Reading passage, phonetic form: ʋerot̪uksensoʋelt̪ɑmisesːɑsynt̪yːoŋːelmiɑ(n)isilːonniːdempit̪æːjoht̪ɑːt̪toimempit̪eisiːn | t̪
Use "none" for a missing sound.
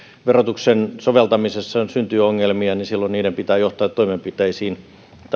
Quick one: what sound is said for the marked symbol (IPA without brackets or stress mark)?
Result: n